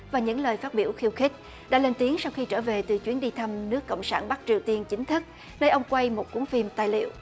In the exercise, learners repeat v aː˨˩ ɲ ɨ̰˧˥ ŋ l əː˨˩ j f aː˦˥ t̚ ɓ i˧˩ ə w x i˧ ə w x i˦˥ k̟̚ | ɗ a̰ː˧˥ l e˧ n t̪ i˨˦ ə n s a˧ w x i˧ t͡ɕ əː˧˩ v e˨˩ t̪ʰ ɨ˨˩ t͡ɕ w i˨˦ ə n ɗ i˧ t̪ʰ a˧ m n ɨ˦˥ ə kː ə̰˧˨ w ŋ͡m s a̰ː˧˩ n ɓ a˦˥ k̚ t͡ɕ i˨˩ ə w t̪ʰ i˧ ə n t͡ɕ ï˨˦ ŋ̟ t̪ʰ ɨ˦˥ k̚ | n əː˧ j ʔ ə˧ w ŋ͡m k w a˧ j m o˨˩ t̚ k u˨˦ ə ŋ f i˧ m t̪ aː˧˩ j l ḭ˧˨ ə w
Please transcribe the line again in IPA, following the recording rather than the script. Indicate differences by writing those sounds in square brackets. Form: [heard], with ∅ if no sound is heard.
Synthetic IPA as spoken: v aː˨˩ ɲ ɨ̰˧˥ ŋ l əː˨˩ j f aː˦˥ t̚ ɓ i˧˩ ə w x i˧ ə w x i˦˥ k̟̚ | ɗ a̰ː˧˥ l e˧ n t̪ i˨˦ ə [ŋ] s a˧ w x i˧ t͡ɕ əː˧˩ v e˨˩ [t̪] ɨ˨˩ t͡ɕ w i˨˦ ə n ɗ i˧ t̪ʰ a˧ m n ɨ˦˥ ə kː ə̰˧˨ w ŋ͡m s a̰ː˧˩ n ɓ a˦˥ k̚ t͡ɕ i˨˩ ə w [t̪] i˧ ə n t͡ɕ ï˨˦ ŋ̟ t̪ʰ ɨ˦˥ k̚ | n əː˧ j ʔ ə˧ w ŋ͡m k w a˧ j m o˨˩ t̚ k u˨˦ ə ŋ f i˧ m t̪ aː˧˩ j l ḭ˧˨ ə w